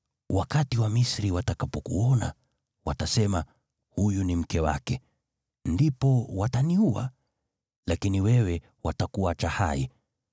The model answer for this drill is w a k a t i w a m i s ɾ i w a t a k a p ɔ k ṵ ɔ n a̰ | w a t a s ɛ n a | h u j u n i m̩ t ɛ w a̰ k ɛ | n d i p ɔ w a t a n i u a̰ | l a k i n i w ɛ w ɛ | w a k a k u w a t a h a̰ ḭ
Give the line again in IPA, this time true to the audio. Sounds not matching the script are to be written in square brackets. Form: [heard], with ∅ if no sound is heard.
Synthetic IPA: w a k a t i w a m i s ɾ i w a t a k a p ɔ k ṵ ɔ n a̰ | w a t a s ɛ [m] a | h u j u n i m̩ [k] ɛ w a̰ k ɛ | n d i p ɔ w a t a n i u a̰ | l a k i n i w ɛ w ɛ | w a [t] a k u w a [t͡ʃ] a h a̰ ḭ